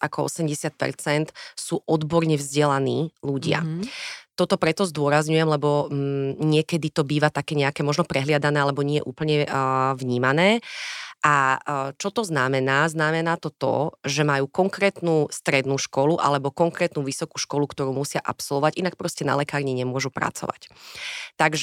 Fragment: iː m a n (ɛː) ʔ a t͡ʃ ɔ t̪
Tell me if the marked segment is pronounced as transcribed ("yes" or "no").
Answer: yes